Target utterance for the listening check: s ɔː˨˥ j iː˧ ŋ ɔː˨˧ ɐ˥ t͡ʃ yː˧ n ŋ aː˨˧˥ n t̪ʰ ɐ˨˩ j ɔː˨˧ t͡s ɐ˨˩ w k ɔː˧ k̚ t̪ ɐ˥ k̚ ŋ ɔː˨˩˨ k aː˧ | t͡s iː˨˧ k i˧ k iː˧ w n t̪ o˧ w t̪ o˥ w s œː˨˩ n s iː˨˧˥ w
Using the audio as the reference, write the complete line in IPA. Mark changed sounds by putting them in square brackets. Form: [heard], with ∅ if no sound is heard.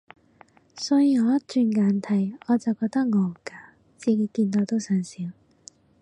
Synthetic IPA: s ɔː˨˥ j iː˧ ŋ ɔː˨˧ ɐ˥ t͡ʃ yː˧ n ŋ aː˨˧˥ n t̪ʰ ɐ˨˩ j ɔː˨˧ t͡s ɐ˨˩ w k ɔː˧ k̚ t̪ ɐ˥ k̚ ŋ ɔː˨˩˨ k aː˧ | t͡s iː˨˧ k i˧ k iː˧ [∅] n t̪ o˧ w t̪ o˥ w s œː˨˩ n s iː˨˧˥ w